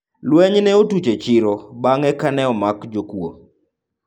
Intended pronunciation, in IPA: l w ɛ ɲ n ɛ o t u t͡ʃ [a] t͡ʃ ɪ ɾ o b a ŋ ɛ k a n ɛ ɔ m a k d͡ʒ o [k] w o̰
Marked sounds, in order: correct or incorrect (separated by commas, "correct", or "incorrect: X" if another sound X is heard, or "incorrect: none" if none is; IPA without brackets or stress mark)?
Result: incorrect: e, correct